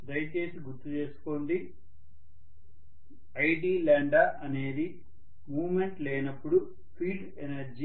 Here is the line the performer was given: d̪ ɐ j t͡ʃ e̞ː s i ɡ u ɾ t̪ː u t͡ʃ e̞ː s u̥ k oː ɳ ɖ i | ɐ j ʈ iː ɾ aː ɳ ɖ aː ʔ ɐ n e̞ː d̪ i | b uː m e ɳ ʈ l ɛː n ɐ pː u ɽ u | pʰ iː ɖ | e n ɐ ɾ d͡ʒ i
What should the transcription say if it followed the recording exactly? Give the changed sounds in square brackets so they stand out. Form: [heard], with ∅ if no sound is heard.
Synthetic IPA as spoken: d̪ ɐ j t͡ʃ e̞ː s i ɡ u ɾ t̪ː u t͡ʃ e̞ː s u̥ k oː ɳ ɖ i | ɐ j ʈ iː [l] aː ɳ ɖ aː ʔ ɐ n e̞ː d̪ i | [m] uː m e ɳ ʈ l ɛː n ɐ pː u ɽ u | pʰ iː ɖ | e n ɐ ɾ d͡ʒ i